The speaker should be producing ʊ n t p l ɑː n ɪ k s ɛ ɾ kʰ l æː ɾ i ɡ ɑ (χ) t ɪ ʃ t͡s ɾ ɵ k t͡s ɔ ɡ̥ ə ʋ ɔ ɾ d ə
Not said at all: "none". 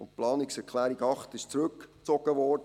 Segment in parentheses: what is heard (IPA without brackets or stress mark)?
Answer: χ